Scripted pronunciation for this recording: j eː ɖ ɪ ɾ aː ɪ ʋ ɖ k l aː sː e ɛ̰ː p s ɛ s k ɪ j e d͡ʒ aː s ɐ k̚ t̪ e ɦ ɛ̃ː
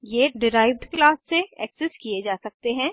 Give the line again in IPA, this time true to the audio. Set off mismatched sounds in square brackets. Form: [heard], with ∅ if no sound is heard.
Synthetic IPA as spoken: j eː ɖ ɪ ɾ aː ɪ ʋ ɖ k l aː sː e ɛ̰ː [k] s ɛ s k [i] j e d͡ʒ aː s ɐ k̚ t̪ e ɦ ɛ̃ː